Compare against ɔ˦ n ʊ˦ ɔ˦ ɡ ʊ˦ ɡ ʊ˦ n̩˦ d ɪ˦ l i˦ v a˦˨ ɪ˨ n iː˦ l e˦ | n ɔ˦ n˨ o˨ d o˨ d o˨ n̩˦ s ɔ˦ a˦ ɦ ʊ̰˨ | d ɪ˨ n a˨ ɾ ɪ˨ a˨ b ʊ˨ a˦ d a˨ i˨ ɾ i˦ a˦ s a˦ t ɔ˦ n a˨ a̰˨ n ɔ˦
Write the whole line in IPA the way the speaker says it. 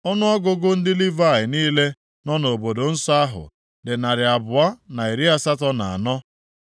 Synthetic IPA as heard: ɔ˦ n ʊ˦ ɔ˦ ɡ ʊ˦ ɡ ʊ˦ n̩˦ d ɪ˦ l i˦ v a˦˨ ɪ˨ n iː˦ l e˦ | n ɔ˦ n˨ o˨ b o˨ d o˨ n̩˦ s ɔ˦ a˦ ɦ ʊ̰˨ | d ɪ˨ n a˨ ɾ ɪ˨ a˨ b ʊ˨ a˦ n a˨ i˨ ɾ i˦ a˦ s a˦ t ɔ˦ n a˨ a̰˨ n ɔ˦